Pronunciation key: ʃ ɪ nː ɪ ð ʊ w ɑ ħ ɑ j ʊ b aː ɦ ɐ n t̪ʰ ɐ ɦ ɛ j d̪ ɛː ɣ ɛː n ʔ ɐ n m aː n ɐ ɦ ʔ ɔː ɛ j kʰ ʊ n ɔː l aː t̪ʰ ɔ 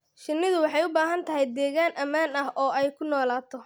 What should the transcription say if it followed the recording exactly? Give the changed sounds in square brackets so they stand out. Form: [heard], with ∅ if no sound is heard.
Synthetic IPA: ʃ ɪ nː ɪ ð ʊ w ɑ ħ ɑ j ʊ b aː ɦ ɐ n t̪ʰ ɐ ɦ ɛ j d̪ ɛː ɣ [aː] n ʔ ɐ [∅] m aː n ɐ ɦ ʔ ɔː ɛ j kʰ ʊ n ɔː l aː t̪ʰ ɔ